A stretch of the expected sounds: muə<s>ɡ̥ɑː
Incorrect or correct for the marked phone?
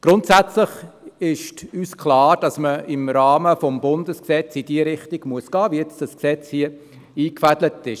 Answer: correct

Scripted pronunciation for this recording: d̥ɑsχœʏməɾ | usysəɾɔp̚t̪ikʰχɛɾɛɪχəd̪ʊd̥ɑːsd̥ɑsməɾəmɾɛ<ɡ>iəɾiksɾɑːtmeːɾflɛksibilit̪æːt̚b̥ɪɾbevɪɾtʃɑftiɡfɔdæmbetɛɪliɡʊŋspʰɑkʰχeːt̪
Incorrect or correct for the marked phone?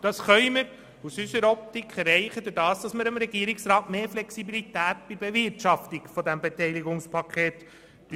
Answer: correct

